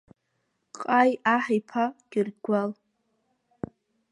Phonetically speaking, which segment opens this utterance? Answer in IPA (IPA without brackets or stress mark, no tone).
qʼ